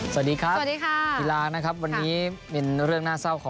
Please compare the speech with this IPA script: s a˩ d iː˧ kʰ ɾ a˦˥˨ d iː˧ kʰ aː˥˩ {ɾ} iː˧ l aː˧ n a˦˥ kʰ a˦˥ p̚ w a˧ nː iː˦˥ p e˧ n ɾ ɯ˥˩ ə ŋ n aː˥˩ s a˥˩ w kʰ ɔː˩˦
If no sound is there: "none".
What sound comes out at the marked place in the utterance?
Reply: none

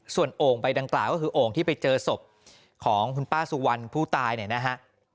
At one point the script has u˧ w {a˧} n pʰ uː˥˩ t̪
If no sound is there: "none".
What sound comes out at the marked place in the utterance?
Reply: a˧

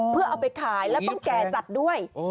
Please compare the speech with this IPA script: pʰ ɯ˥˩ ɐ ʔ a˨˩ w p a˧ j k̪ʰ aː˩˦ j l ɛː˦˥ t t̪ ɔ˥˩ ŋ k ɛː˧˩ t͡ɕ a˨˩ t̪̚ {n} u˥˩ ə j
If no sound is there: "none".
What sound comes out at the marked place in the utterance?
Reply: d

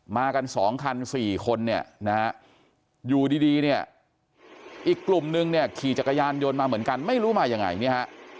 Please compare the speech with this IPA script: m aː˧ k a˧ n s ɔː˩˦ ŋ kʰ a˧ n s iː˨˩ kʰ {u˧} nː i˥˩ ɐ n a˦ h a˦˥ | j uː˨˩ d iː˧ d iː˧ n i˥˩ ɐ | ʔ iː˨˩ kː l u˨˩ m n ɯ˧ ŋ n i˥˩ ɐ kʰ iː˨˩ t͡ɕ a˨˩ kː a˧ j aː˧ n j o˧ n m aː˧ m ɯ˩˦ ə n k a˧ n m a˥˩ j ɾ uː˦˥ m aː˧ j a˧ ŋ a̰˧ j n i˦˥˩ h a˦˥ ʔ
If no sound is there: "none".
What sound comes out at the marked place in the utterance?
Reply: o˧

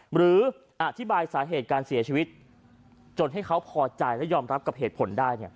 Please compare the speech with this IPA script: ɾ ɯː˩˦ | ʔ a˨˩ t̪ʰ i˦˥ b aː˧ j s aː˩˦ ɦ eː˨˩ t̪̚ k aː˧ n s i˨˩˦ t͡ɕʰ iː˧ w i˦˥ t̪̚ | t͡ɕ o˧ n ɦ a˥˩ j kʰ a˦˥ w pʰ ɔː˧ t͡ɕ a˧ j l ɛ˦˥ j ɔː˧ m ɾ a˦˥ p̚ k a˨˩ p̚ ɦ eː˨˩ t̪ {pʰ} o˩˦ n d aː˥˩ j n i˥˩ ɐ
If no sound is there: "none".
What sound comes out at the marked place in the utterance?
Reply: pʰ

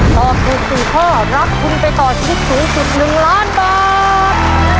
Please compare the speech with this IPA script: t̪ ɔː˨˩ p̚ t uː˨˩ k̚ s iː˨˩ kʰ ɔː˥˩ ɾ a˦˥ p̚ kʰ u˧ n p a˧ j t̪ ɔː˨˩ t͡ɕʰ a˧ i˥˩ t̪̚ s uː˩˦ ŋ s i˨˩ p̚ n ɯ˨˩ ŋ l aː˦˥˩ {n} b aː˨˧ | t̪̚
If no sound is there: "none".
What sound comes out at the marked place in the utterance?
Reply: n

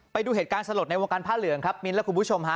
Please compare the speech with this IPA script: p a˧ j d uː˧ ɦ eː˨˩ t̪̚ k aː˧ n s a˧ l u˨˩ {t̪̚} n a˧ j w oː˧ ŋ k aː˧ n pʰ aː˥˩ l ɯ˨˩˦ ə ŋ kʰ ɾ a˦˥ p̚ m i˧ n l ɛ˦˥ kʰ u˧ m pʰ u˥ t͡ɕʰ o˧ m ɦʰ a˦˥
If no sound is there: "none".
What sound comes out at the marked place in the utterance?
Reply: t̪̚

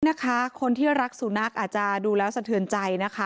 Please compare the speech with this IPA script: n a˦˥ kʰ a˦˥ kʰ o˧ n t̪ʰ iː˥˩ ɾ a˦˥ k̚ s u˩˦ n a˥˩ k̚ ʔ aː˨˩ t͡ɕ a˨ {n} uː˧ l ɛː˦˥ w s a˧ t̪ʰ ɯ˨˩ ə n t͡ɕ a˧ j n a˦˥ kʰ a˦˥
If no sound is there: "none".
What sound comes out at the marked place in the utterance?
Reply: d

